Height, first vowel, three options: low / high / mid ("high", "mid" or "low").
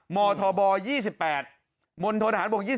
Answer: mid